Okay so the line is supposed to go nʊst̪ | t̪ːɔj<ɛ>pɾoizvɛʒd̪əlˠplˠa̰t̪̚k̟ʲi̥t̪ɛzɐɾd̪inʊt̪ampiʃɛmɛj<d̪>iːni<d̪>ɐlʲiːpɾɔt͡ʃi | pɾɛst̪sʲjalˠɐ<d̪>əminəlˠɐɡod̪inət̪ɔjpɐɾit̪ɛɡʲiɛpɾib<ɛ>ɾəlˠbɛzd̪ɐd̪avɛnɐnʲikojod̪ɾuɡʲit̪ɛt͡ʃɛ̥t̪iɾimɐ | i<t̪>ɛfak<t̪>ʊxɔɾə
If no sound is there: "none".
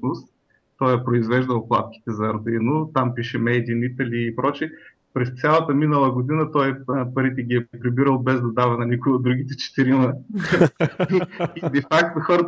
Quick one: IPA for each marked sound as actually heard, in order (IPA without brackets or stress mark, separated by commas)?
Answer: ɛ, d̪, t̪, t̪, i, d̪, t̪